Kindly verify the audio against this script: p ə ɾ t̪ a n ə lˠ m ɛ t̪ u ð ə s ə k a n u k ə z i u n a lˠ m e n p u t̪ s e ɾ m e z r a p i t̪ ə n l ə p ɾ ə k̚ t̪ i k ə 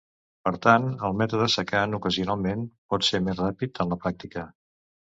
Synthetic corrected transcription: p ə ɾ t̪ a n ə lˠ m ɛ t̪ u ð ə s ə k a n u k ə z i u n a lˠ m e n p ɔ t̪ s e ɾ m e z r a p i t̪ ə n l ə p ɾ a k̚ t̪ i k ə

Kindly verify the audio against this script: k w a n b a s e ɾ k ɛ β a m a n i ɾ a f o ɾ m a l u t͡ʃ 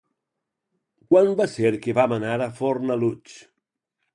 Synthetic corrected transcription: k w a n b a s e ɾ k e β a m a n a ɾ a f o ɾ n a l u t͡ʃ

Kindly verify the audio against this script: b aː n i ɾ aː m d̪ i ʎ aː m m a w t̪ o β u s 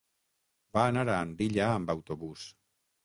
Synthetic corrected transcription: b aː n a ɾ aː n d̪ i ʎ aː m b a w t̪ o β u s

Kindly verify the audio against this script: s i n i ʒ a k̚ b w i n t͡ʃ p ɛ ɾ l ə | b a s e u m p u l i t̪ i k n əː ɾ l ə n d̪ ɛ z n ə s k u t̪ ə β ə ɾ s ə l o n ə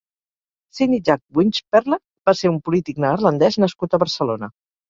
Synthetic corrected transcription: s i n i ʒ a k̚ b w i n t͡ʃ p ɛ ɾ l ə | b a s e u m p u l i t̪ i k n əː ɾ l ə n d̪ ɛ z n ə s k u t̪ ə β ə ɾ s ə l o n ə

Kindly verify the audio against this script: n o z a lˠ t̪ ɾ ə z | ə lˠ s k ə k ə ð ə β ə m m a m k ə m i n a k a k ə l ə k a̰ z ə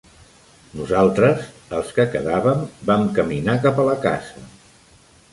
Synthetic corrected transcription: n u z a lˠ t̪ ɾ ə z | ə lˠ s k ə k ə ð a β ə m b a m k ə m i n a k a p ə l ə k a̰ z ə

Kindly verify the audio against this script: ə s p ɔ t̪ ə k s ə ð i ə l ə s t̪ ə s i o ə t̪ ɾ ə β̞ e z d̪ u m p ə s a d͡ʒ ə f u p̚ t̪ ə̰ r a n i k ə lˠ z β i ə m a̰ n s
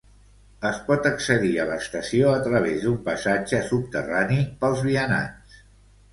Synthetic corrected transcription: ə s p ɔ t̪ ə k s ə ð i ə l ə s t̪ ə s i o ə t̪ ɾ ə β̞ e z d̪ u m p ə s a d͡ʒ ə s u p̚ t̪ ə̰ r a n i p ə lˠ z β i ə n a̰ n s

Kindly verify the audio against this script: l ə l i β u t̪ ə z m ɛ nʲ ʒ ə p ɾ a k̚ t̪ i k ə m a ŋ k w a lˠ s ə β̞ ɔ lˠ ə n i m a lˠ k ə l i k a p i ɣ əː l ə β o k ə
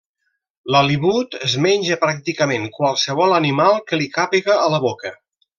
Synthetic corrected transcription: l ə l i β u t̪ ə z m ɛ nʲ ʒ ə p ɾ a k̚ t̪ i k ə m e ŋ k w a lˠ s ə β̞ ɔ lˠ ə n i m a lˠ k ə l i k a p i ɣ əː l ə β o k ə

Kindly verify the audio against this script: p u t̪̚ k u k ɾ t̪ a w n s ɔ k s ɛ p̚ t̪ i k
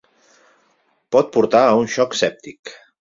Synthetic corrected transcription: p ɔ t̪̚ p u ɾ t̪ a u n ʃ ɔ k s ɛ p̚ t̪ i k

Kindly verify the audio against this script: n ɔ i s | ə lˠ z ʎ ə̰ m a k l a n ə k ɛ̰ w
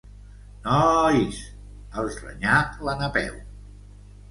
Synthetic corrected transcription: n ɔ i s | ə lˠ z r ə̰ ɲ a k l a n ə p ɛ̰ w

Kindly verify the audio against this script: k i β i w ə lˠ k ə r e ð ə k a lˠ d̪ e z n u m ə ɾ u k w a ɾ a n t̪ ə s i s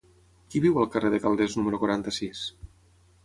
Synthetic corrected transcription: k i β i w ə lˠ k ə r e ð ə k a lˠ d̪ e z n u m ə ɾ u k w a ɾ a n t̪ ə s i s

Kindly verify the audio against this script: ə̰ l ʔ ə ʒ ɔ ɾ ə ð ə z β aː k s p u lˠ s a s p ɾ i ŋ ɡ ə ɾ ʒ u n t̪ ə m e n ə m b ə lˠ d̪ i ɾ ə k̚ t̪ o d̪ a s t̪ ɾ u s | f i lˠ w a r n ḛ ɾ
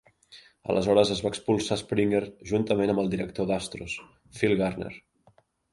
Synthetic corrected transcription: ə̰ l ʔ ə z ɔ ɾ ə z ə z β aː k s p u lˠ s a s p ɾ i ŋ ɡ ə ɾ ʒ u n t̪ ə m e n ə m b ə lˠ d̪ i ɾ ə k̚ t̪ o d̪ a s t̪ ɾ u s | f i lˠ ɣ a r n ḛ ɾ

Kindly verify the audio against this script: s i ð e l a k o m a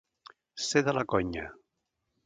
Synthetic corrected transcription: s e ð a l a k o ɲ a

